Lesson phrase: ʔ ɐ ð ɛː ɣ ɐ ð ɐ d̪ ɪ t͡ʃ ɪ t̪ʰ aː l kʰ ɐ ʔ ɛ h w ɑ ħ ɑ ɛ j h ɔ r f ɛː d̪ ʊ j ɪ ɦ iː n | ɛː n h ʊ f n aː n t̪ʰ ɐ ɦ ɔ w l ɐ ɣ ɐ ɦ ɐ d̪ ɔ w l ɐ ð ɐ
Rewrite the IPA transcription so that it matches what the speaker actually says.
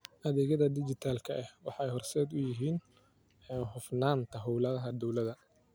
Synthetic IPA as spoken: ʔ ɐ ð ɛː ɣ ɐ ð ɐ d̪ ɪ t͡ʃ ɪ t̪ʰ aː l kʰ ɐ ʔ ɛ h w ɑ ħ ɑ ɛ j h ɔ r s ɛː d̪ ʊ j ɪ ɦ iː n | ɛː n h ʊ f n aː n t̪ʰ ɐ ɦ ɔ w l ɐ ð ɐ ɦ ɐ d̪ ɔ w l ɐ ð ɐ